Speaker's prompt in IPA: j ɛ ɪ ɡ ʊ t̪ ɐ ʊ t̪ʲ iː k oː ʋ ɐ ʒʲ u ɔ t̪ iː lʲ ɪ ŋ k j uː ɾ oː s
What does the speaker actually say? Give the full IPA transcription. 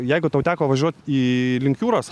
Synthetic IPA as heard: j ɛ ɪ ɡ ʊ t̪ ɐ ʊ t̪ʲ æː k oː ʋ ɐ ʒʲ u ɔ t̪ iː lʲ ɪ ŋ k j uː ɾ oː s